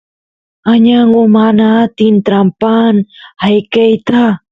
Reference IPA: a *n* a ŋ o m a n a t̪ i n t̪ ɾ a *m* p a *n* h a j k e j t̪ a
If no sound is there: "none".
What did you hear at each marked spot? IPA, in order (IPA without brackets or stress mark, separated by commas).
ɲ, m, n